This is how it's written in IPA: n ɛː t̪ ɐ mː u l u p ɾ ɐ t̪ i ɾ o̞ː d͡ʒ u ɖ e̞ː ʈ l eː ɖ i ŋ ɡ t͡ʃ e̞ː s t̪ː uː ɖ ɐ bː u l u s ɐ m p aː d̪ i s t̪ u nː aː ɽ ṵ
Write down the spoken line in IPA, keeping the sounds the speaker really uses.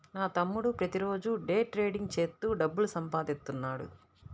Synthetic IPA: n aː t̪ ɐ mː u ɽ u p ɾ ɐ t̪ i ɾ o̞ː d͡ʒ u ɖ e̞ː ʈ ɾ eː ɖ i ŋ ɡ t͡ʃ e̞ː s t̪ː uː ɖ ɐ bː u l u s ɐ m p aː d̪ i s t̪ u nː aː ɽ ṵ